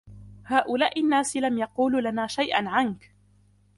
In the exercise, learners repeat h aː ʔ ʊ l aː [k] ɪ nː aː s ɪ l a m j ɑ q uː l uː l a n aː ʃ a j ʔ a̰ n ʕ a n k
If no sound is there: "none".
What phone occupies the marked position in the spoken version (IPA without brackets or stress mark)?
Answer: ʔ